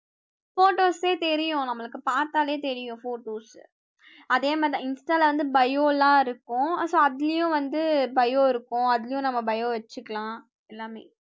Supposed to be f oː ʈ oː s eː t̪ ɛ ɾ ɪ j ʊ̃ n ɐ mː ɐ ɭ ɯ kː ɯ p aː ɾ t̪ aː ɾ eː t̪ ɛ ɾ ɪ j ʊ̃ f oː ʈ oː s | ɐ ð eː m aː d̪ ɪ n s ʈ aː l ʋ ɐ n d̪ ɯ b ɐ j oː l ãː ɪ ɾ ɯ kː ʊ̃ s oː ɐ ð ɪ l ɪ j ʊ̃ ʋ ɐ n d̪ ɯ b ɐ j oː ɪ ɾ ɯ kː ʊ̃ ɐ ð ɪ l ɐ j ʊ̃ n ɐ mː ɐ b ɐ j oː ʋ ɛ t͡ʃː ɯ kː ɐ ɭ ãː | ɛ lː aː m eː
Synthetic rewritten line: f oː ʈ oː s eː t̪ ɛ ɾ ɪ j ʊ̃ n ɐ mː ɐ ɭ ɯ kː ɯ p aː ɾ t̪ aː l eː t̪ ɛ ɾ ɪ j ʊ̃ f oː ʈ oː s | ɐ ð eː m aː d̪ ɪ n s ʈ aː l ʋ ɐ n d̪ ɯ b ɐ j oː l ãː ɪ ɾ ɯ kː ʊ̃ s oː ɐ ð ɪ l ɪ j ʊ̃ ʋ ɐ n d̪ ɯ b ɐ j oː ɪ ɾ ɯ kː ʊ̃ ɐ ð ɪ l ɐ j ʊ̃ n ɐ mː ɐ b ɐ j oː ʋ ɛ t͡ʃː ɯ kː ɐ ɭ ãː | ɛ lː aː m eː